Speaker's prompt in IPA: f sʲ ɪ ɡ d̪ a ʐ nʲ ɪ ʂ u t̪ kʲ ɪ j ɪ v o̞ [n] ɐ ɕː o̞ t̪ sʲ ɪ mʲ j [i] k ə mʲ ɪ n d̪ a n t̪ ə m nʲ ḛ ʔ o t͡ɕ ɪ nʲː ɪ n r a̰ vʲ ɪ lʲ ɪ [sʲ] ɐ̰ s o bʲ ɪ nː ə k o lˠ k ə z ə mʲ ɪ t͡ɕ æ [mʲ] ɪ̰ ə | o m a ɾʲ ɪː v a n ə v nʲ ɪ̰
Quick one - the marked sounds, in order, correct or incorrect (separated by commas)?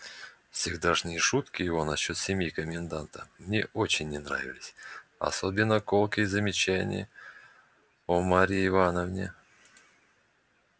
correct, correct, correct, incorrect